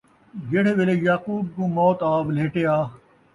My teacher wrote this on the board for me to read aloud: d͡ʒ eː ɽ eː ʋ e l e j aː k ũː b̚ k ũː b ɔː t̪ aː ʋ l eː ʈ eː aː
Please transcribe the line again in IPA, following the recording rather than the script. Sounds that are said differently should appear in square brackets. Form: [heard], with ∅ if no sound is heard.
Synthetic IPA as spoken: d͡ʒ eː ɽ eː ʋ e l e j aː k [uː] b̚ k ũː [m] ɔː t̪ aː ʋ l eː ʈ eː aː